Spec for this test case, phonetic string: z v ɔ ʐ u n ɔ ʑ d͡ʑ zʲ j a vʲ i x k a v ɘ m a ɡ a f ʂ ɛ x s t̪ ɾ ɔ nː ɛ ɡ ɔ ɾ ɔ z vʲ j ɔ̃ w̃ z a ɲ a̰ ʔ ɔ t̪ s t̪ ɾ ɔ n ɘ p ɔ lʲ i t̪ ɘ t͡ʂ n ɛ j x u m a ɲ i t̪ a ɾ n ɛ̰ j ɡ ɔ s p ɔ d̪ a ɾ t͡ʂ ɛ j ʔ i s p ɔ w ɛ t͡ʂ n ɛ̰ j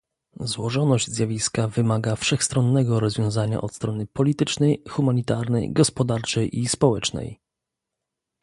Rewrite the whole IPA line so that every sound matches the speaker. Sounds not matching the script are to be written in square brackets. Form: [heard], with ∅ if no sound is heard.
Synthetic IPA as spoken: z [w] ɔ ʐ [ɔ] n ɔ ʑ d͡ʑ zʲ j a vʲ i [s] k a v ɘ m a ɡ a f ʂ ɛ x s t̪ ɾ ɔ nː ɛ ɡ ɔ ɾ ɔ z vʲ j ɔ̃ w̃ z a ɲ a̰ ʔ ɔ t̪ s t̪ ɾ ɔ n ɘ p ɔ lʲ i t̪ ɘ t͡ʂ n ɛ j x u m a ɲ i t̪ a ɾ n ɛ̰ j ɡ ɔ s p ɔ d̪ a ɾ t͡ʂ ɛ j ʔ i s p ɔ w ɛ t͡ʂ n ɛ̰ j